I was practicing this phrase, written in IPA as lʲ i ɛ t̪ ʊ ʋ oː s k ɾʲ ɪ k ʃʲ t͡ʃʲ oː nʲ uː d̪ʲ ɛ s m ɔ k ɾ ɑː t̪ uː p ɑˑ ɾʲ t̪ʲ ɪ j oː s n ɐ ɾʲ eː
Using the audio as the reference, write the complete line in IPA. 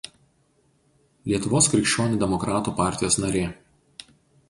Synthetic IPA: lʲ i ɛ t̪ ʊ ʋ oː s k ɾʲ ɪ k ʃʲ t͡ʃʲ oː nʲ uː d̪ʲ ɛ m ɔ k ɾ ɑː t̪ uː p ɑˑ ɾʲ t̪ʲ ɪ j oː s n ɐ ɾʲ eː

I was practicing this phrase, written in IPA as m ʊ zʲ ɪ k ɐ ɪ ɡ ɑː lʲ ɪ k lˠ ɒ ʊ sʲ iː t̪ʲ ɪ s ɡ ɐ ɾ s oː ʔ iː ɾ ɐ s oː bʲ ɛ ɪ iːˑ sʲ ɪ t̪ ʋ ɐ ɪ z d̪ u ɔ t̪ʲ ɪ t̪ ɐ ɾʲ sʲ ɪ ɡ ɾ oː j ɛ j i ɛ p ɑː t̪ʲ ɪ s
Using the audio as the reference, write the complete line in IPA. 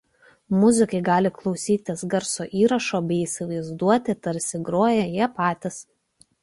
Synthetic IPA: m ʊ zʲ ɪ k ɐ ɪ ɡ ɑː lʲ ɪ k lˠ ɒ ʊ sʲ iː t̪ʲ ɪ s ɡ ɐ ɾ s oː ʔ iː ɾ ɐ ʃ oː bʲ ɛ ɪ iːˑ sʲ ɪ ʋ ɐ ɪ z d̪ u ɔ t̪ʲ ɪ t̪ ɐ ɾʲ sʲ ɪ ɡ ɾ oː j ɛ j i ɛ p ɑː t̪ʲ ɪ s

